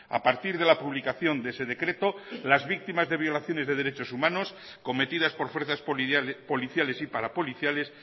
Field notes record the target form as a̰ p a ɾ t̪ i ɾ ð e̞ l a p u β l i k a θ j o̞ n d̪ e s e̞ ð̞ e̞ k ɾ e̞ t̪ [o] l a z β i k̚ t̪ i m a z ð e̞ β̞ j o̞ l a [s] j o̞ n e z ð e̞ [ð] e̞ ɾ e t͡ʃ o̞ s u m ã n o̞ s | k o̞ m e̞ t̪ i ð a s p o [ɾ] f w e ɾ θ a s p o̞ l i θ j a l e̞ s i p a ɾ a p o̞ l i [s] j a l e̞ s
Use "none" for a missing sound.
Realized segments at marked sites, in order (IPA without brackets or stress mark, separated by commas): o, θ, ð, ɾ, θ